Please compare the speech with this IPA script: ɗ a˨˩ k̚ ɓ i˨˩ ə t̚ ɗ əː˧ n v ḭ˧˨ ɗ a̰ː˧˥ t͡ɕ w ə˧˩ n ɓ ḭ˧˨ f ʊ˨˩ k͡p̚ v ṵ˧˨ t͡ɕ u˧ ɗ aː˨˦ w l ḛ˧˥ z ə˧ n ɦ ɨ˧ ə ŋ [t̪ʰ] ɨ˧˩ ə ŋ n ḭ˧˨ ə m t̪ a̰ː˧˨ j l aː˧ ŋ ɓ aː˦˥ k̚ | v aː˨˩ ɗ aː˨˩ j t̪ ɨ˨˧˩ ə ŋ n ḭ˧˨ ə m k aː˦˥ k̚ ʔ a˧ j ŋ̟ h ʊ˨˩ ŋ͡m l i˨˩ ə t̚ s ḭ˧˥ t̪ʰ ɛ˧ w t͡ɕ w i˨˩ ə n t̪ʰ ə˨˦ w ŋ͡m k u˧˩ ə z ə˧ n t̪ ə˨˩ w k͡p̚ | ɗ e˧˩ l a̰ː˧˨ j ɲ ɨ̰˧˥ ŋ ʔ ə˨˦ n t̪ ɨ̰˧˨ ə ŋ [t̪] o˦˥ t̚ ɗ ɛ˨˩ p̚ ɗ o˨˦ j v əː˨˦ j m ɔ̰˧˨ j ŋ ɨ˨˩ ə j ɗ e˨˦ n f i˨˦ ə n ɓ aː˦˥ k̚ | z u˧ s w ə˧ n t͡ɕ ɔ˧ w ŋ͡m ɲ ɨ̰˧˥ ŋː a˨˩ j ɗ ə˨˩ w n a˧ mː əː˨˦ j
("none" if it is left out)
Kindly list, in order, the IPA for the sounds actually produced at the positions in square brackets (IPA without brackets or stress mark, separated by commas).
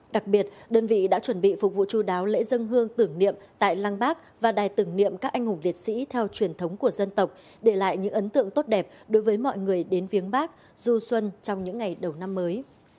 t̪, t̪